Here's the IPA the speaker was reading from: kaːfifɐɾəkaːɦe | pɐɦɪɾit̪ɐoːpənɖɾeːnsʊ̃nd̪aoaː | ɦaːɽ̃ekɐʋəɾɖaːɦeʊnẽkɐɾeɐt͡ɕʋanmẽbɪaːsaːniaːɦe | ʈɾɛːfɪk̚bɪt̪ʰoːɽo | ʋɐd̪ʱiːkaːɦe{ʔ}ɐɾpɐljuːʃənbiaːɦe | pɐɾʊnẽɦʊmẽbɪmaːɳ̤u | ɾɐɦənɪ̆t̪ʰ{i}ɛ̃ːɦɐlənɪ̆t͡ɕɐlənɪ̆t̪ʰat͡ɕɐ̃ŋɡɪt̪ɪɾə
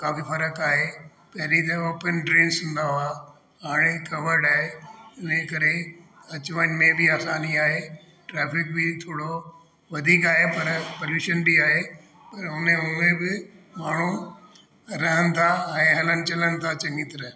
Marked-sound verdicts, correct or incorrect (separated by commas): incorrect, incorrect